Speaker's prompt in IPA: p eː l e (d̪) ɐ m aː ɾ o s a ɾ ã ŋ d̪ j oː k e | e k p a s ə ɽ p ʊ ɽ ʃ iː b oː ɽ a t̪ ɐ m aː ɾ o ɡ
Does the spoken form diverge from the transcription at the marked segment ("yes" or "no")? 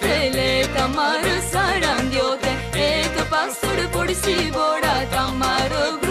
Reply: yes